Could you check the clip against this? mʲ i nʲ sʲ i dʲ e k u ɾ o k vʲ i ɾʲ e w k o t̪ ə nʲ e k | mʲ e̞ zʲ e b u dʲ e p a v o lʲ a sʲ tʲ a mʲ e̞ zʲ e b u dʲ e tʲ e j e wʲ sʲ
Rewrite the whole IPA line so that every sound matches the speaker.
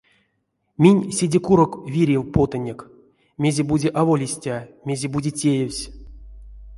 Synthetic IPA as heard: mʲ i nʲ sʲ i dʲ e k u ɾ o k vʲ i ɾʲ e w p o t̪ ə nʲ e k | mʲ e̞ zʲ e b u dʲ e ʔ a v o lʲ i sʲ tʲ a mʲ e̞ zʲ e b u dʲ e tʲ e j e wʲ sʲ